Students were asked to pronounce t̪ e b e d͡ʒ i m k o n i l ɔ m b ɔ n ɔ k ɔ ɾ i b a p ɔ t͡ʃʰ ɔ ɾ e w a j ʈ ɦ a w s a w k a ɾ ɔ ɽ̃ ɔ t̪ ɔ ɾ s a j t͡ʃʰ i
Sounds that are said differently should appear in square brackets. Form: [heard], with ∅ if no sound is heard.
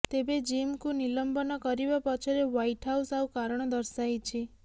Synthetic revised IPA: t̪ e b e d͡ʒ i m k [u] n i l ɔ m b ɔ n ɔ k ɔ ɾ i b a p ɔ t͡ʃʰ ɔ ɾ e w a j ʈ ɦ a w s a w k a ɾ ɔ ɽ̃ ɔ [d̪] ɔ ɾ s a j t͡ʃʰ i